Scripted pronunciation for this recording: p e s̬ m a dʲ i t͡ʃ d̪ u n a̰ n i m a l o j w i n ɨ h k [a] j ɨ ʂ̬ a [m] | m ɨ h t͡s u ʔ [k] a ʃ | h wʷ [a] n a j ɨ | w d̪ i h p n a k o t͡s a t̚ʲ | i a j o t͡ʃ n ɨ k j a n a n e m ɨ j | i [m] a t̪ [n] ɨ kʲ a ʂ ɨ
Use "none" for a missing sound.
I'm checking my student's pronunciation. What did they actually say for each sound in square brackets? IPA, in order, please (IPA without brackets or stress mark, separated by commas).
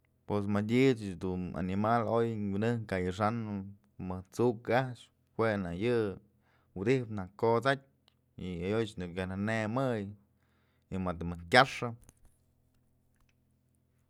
a, n, k, e, m, m